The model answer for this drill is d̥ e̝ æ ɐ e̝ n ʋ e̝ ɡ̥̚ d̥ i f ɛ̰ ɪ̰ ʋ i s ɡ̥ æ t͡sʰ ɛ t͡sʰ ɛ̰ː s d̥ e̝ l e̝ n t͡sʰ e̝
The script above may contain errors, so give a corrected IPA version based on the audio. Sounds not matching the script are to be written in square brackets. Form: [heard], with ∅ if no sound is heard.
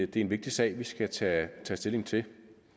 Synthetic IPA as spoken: d̥ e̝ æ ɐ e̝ n ʋ e̝ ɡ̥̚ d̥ i [s] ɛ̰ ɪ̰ ʋ i s ɡ̥ æ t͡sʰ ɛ t͡sʰ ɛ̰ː s d̥ e̝ l e̝ [ŋ] t͡sʰ e̝